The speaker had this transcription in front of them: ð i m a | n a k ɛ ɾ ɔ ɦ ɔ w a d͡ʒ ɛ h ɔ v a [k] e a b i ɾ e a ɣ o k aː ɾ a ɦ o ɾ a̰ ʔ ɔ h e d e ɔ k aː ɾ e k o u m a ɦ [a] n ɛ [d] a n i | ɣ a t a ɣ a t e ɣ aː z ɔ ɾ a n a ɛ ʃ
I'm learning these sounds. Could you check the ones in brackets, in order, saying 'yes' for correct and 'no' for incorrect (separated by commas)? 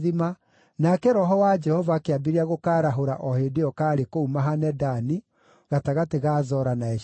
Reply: yes, yes, yes